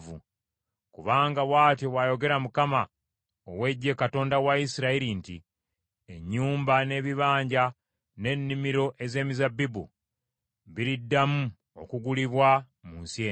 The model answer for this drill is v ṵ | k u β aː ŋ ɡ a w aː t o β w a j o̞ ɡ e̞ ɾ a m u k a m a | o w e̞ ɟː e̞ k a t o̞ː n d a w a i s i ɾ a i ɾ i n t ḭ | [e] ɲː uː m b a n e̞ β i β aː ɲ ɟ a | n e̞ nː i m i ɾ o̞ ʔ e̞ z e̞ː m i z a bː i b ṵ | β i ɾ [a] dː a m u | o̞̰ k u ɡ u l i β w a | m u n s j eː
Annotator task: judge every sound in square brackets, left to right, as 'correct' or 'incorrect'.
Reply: correct, incorrect: i

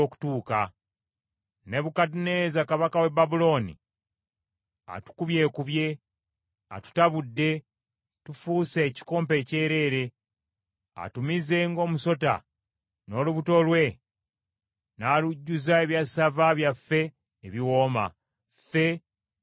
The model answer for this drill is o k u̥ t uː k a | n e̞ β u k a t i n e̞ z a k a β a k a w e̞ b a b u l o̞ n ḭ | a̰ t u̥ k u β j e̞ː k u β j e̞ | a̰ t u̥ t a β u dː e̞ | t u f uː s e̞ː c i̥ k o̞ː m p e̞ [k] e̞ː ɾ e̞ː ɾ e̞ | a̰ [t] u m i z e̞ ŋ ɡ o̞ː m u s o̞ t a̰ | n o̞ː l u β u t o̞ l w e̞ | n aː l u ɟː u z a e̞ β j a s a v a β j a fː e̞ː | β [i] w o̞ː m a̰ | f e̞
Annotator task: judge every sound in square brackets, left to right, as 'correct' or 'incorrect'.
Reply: incorrect: c, correct, correct

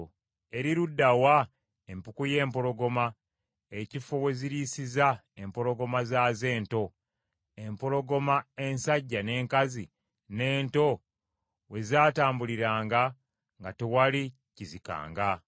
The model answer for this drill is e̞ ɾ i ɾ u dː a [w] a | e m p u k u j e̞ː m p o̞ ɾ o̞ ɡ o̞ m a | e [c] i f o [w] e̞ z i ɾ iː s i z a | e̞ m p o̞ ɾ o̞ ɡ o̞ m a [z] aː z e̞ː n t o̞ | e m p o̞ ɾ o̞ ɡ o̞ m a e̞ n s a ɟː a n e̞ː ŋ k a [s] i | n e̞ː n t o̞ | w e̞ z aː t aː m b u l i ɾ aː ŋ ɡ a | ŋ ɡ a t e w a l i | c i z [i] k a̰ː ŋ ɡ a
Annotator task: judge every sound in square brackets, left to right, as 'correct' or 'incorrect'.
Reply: correct, correct, correct, correct, incorrect: z, correct

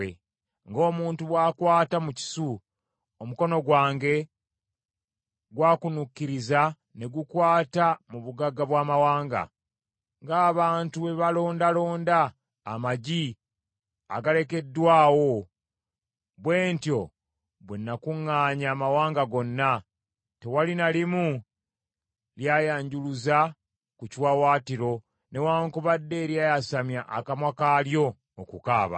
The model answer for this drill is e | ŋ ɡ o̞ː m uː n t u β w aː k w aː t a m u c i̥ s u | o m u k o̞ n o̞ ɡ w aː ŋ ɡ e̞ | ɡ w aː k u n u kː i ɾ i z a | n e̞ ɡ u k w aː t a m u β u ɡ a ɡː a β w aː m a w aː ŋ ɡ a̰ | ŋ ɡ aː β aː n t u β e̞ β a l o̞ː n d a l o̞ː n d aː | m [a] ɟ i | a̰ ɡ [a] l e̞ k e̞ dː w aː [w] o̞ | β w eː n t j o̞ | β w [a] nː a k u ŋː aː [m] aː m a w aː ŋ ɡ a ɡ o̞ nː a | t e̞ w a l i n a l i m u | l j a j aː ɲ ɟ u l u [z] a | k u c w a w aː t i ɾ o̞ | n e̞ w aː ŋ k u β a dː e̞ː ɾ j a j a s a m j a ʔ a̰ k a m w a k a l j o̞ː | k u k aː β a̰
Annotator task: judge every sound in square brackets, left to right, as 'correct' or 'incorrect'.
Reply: correct, correct, correct, incorrect: e, incorrect: ɲ, correct

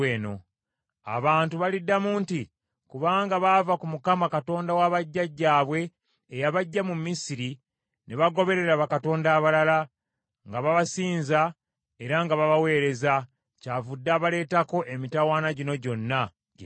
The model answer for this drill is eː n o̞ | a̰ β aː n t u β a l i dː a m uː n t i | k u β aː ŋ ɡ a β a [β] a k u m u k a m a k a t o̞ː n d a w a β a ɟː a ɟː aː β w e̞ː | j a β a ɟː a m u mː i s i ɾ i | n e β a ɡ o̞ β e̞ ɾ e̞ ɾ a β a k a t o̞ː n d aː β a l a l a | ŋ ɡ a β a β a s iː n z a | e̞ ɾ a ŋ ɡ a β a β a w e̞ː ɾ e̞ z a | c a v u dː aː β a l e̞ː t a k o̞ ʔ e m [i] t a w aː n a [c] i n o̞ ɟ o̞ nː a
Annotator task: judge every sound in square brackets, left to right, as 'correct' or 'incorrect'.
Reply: incorrect: v, correct, incorrect: ɟ

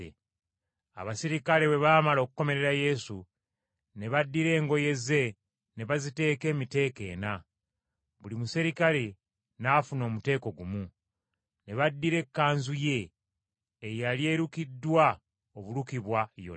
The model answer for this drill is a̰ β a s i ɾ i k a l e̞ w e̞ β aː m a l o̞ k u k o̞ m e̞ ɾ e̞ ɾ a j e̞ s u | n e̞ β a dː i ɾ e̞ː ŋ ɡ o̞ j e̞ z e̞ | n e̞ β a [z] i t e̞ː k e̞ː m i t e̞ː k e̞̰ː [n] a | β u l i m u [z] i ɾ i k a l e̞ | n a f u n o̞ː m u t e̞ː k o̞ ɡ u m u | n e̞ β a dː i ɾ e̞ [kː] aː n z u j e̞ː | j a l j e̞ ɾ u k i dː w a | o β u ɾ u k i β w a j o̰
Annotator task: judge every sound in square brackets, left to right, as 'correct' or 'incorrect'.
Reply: correct, correct, incorrect: s, correct

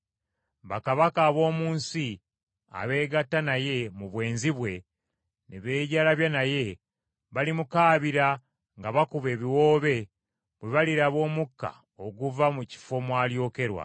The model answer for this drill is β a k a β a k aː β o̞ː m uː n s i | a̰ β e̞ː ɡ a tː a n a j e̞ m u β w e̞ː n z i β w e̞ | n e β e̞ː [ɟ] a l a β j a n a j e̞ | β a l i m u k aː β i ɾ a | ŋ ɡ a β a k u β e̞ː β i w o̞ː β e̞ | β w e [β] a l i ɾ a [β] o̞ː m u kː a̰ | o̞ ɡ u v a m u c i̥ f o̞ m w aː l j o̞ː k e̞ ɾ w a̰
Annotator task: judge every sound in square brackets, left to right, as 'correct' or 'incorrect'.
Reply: correct, correct, correct

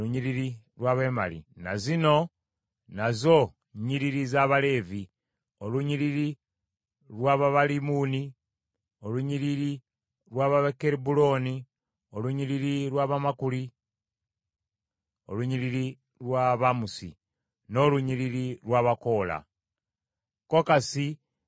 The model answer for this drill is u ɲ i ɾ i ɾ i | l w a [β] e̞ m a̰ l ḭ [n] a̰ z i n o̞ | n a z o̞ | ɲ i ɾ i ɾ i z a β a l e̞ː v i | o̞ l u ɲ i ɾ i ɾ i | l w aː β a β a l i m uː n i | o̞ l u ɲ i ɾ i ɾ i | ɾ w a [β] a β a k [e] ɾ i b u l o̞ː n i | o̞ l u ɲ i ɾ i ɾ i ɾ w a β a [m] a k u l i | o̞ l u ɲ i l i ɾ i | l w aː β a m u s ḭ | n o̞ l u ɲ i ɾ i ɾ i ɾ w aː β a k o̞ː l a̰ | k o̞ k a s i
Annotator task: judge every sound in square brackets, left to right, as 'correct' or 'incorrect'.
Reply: correct, correct, correct, correct, correct

